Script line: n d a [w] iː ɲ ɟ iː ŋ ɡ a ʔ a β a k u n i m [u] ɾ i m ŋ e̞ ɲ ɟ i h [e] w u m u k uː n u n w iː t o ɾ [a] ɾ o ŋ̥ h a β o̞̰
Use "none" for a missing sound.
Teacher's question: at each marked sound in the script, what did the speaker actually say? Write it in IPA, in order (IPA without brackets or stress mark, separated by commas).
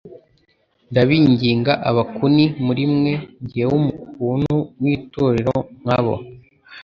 β, u, e, e